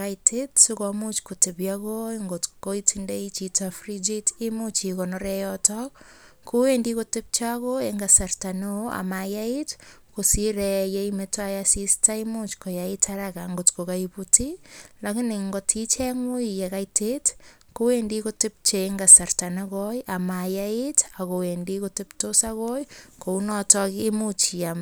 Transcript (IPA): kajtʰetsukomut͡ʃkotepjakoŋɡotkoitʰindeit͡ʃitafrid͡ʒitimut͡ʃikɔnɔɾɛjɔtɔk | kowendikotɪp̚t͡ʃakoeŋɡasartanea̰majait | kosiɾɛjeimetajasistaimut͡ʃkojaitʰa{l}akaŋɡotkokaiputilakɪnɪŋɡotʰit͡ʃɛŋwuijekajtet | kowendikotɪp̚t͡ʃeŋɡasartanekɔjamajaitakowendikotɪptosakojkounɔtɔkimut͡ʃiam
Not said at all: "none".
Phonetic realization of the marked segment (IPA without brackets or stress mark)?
ɾ